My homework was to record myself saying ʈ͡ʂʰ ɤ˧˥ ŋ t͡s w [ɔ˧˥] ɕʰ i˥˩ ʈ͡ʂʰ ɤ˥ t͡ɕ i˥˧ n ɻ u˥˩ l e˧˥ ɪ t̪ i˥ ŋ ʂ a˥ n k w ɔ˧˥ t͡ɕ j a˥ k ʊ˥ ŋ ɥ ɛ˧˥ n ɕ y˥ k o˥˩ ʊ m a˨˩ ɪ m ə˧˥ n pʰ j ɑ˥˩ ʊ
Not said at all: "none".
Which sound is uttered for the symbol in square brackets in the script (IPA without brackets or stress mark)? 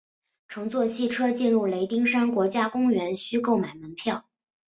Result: ɔ˥˧